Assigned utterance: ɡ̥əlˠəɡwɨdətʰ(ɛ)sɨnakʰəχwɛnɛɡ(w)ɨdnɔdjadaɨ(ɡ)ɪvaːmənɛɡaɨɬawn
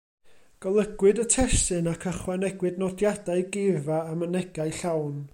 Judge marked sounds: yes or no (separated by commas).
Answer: yes, yes, yes